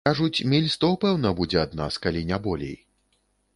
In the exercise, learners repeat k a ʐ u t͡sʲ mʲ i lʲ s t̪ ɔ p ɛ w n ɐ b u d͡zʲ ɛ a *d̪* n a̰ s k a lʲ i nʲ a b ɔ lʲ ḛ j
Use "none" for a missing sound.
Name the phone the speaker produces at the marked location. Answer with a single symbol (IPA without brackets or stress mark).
d̪